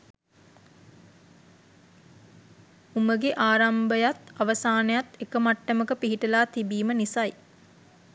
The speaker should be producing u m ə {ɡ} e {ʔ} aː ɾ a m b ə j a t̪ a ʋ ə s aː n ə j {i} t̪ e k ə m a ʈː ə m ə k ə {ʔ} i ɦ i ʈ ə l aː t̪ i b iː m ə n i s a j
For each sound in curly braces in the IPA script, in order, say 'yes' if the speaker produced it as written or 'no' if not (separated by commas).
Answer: yes, yes, no, no